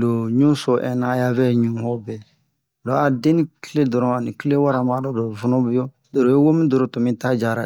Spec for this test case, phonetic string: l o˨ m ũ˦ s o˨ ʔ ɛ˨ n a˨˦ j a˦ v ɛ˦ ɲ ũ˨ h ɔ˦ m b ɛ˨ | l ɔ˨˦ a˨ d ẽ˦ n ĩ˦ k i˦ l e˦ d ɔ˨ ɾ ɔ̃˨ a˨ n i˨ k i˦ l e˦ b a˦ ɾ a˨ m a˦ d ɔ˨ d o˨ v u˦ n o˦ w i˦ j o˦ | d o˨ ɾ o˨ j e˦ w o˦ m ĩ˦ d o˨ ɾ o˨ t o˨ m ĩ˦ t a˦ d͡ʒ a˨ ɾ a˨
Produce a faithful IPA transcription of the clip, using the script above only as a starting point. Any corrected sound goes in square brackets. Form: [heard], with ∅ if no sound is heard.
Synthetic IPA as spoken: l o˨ [ɲ] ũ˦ s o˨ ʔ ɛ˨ n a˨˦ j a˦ v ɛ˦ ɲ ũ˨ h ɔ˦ [∅] b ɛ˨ | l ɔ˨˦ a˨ d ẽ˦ n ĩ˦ k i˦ l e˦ d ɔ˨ ɾ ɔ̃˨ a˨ n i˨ k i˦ l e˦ [w] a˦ ɾ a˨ m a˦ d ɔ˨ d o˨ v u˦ n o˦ [b] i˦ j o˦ | d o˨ ɾ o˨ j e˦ w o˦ m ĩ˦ d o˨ ɾ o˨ t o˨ m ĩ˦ t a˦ d͡ʒ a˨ ɾ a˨